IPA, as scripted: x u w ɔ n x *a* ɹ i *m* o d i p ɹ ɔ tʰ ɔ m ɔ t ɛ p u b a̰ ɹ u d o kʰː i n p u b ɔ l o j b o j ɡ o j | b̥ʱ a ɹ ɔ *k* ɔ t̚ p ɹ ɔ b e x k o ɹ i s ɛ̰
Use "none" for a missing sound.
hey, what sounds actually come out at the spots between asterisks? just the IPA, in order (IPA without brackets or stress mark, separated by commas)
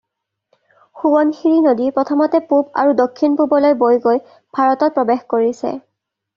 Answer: i, n, t